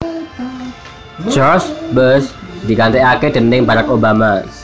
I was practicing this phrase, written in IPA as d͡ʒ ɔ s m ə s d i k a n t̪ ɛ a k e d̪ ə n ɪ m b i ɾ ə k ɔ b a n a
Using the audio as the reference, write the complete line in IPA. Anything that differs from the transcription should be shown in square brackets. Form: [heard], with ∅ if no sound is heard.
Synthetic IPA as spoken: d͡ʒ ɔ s [b] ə s d i k a n t̪ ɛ a k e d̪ ə n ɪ [ŋ] b [a] ɾ [a] k [o] b a [m] a